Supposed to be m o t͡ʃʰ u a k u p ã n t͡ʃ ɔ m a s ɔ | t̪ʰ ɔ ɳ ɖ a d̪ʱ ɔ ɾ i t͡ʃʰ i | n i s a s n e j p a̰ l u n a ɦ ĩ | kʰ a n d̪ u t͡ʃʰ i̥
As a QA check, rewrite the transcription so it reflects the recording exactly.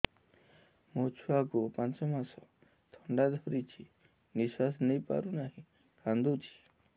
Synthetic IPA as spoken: m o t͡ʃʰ u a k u p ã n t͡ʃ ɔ m a s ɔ | t̪ʰ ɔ ɳ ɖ a d̪ʱ ɔ ɾ i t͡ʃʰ i | n i s a s n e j p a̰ ɾ u n a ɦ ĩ | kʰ a n d̪ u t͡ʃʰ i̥